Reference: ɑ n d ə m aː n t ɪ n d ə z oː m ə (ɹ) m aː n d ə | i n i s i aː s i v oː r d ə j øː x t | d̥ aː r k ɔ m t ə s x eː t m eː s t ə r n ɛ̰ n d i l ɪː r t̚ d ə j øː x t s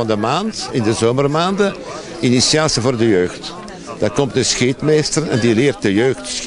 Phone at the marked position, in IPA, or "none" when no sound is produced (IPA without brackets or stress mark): r